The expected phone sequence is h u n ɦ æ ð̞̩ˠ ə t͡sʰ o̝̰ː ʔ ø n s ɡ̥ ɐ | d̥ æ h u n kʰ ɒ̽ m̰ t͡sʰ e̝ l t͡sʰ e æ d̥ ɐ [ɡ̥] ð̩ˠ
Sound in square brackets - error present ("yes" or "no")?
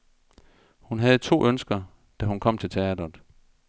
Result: yes